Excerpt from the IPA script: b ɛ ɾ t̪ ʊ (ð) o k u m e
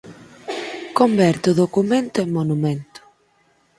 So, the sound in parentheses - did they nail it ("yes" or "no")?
yes